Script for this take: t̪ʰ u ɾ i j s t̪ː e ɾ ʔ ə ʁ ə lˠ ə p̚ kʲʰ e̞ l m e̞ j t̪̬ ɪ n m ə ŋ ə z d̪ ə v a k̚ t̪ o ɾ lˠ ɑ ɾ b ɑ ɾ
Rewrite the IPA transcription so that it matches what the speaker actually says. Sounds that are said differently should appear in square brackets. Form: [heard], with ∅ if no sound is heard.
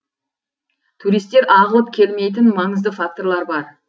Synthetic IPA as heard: t̪ʰ u ɾ i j s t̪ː e ɾ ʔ [ɑ] ʁ ə lˠ ə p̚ kʲʰ e̞ l m e̞ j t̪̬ ɪ n m [ɑ] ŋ ə z d̪ ə [f] a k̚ t̪ o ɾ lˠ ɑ ɾ b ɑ ɾ